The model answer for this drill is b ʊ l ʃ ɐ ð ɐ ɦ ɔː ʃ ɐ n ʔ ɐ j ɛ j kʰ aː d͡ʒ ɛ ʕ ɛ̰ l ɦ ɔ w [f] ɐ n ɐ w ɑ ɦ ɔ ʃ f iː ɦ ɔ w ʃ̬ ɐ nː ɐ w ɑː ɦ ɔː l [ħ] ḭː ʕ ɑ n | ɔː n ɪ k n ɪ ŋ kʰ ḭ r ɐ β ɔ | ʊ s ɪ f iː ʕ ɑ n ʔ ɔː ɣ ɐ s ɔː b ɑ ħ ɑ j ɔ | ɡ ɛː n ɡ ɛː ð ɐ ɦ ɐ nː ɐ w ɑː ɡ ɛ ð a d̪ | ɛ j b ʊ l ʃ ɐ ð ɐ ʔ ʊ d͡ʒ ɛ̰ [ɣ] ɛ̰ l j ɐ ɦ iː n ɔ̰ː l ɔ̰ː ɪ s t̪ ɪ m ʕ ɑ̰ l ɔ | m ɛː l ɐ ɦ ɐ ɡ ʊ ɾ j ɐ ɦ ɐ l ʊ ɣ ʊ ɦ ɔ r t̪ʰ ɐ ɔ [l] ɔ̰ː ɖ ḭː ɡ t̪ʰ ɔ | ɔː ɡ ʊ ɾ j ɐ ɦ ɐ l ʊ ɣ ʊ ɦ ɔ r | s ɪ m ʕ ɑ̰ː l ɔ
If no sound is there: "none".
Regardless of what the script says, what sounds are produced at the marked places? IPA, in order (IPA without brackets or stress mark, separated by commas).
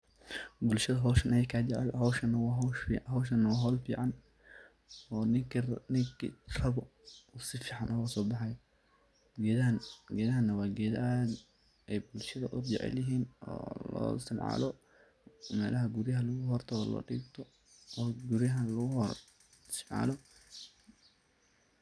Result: ʃ, f, ʕ, l